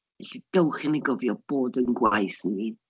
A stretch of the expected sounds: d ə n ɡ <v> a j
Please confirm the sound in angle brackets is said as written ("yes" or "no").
no